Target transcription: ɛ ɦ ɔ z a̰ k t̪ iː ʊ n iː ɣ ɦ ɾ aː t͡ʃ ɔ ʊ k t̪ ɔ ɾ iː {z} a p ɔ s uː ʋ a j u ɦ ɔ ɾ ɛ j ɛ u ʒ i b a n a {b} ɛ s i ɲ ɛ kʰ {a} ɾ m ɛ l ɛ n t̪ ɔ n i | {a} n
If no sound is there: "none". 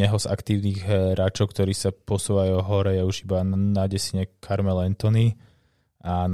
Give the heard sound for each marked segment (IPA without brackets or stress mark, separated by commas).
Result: s, ɟ, a, a